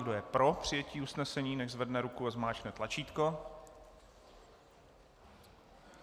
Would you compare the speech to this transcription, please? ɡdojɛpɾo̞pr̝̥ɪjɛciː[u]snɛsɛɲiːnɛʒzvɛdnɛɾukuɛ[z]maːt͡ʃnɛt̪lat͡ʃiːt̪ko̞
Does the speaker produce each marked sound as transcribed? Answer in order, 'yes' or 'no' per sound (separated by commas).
yes, yes